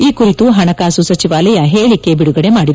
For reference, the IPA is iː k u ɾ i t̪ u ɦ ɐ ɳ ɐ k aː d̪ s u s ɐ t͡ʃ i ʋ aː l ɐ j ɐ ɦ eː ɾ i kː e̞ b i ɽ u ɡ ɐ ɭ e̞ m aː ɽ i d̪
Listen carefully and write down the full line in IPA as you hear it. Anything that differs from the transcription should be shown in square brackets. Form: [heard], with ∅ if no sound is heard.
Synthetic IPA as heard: iː k u ɾ i t̪ u ɦ ɐ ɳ ɐ k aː [∅] s u s ɐ t͡ʃ i ʋ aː l ɐ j ɐ ɦ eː [ɭ] i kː e̞ b i ɽ u ɡ ɐ [ɽ] e̞ m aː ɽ i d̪